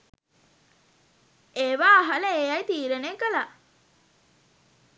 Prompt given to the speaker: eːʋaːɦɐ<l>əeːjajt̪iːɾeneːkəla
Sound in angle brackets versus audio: correct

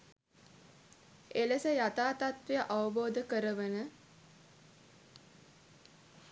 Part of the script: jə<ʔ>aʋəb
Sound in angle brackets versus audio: correct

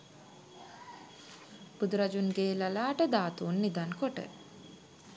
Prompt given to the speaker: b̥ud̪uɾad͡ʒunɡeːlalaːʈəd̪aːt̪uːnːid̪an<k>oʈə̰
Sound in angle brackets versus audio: correct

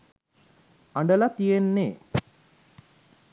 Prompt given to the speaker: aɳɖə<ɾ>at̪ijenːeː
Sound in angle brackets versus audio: incorrect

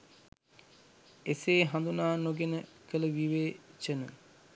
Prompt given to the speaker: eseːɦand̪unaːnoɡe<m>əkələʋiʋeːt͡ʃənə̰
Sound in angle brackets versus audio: incorrect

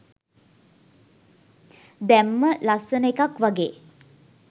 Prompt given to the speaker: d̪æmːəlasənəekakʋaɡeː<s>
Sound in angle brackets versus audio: incorrect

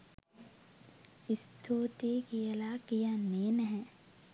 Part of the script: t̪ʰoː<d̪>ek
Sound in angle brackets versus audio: incorrect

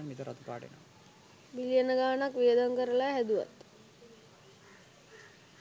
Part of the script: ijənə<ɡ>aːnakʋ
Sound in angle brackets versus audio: correct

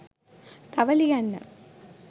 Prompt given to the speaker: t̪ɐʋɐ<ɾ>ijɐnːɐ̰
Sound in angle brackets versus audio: incorrect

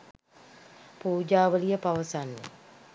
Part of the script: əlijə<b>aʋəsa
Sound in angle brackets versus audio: incorrect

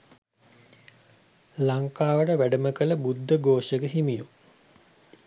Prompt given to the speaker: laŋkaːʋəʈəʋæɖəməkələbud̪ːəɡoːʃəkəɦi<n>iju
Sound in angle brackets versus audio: incorrect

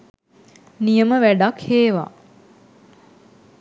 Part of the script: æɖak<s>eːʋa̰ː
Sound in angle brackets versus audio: incorrect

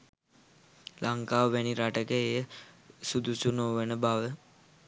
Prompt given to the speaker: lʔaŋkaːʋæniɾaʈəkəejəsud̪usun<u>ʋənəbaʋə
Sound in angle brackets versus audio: incorrect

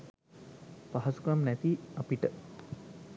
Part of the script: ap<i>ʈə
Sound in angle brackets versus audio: correct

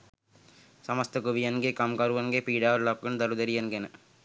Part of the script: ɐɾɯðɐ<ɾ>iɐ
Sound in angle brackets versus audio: correct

